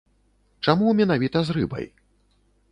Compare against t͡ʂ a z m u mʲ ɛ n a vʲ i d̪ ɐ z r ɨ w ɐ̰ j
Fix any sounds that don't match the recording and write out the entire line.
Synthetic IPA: t͡ʂ a m u mʲ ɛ n a vʲ i t̪ ɐ z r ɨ b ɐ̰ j